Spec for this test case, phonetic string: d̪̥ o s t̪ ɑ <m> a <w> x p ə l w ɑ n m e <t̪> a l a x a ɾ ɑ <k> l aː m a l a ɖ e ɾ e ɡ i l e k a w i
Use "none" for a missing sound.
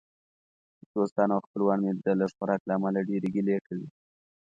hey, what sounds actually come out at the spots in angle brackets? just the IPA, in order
n, w, d̪, k

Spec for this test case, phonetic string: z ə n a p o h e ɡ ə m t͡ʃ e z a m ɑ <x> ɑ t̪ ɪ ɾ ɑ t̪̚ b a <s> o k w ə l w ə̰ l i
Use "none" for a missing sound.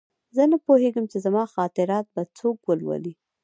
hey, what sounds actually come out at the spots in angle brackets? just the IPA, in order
x, t͡s

